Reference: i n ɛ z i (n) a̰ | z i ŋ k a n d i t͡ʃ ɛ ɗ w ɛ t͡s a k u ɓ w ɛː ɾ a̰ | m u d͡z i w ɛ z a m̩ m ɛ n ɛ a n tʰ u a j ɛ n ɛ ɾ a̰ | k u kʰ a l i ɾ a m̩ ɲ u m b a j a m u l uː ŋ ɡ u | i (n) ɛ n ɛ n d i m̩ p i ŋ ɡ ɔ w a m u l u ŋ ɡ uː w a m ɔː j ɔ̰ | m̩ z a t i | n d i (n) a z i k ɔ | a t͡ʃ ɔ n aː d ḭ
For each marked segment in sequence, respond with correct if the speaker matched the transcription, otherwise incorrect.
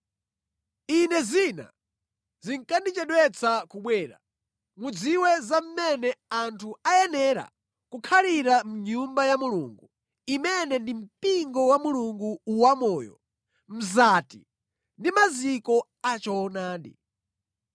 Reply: correct, incorrect: m, incorrect: m

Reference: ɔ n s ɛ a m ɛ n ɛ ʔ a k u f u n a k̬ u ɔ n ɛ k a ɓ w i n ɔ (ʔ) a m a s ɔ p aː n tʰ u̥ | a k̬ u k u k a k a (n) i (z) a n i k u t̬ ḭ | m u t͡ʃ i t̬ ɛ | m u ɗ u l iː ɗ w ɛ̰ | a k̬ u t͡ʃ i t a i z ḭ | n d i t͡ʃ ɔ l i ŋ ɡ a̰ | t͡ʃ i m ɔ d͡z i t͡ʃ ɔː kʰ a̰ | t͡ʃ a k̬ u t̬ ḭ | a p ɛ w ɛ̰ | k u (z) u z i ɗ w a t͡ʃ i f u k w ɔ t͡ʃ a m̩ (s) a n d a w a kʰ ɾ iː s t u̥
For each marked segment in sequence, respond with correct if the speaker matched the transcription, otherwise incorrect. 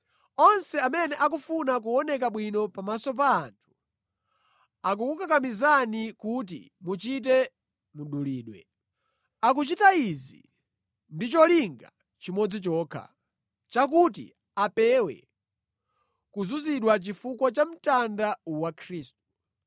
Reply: incorrect: p, incorrect: m, correct, correct, incorrect: t

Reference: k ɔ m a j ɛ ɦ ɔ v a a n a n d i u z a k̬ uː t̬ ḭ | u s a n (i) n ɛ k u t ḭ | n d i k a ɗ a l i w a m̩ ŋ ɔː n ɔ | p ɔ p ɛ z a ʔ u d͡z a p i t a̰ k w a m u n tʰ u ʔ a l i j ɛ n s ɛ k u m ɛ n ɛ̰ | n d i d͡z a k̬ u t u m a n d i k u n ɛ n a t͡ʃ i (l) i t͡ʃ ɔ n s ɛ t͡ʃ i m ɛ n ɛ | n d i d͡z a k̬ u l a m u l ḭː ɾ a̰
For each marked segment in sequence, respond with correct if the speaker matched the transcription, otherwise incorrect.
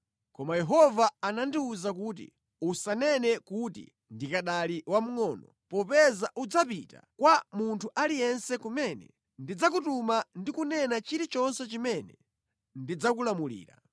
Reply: incorrect: ɛ, incorrect: ɾ

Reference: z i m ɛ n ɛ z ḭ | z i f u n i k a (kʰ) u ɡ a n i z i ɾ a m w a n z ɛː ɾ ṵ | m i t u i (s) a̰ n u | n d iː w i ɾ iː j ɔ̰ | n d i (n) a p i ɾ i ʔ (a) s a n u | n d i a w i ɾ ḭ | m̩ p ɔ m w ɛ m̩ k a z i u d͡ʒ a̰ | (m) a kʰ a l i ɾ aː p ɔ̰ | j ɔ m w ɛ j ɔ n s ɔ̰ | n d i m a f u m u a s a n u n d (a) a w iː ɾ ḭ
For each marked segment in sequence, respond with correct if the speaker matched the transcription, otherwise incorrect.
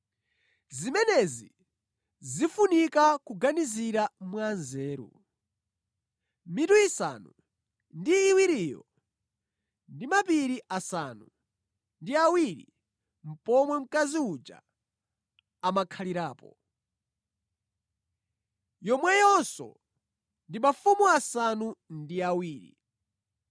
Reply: incorrect: k, correct, incorrect: m, correct, correct, incorrect: i

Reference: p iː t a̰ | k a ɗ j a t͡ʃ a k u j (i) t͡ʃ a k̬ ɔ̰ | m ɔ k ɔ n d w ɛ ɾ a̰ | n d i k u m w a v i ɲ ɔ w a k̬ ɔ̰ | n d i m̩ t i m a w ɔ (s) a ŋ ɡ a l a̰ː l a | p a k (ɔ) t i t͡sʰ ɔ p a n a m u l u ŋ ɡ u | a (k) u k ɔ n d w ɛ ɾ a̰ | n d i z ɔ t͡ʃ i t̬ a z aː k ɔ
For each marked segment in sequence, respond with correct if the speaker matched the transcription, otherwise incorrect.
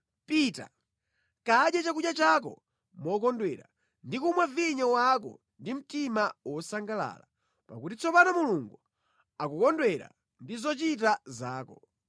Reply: incorrect: a, correct, incorrect: u, correct

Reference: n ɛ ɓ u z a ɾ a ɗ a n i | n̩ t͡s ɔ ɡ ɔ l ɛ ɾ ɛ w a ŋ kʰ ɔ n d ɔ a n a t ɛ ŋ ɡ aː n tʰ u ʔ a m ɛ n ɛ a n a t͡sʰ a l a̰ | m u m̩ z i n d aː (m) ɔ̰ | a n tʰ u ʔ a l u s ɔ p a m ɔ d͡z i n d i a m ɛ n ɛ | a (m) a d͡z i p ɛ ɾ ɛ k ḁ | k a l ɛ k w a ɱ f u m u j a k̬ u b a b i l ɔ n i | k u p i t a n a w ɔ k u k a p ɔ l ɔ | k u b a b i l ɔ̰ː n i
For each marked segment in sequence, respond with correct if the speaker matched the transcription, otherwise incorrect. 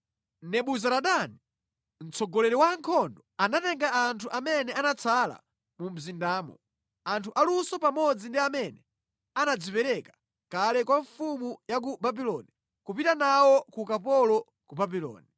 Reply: correct, incorrect: n

